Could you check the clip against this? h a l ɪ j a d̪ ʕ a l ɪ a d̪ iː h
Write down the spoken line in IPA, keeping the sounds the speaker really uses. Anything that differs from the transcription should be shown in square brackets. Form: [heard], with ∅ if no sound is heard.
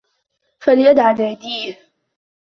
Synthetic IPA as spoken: [f] a l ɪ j a d̪ ʕ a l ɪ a d̪ iː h